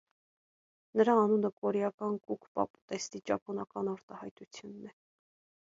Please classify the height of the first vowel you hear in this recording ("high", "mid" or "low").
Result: mid